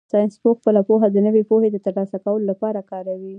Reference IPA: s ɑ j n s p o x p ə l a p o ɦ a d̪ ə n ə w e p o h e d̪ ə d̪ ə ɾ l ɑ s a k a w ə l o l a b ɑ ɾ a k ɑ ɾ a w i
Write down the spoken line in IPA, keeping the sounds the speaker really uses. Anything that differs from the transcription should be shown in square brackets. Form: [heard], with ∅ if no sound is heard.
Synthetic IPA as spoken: s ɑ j n s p o x p ə l a p o ɦ a d̪ ə n ə w e p o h e d̪ ə [t̪] ə ɾ l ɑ s a k a w ə l o l a [p] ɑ ɾ a k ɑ ɾ a w i